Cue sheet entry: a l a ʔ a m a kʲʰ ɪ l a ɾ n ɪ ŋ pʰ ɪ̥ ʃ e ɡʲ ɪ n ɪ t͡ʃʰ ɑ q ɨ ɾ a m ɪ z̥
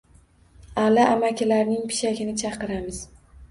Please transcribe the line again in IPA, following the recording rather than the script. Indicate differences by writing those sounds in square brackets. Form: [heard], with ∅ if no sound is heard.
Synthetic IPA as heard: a l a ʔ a m a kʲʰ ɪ l a ɾ n ɪ ŋ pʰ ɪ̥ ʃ [a] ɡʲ ɪ n ɪ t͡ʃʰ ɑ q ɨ ɾ a m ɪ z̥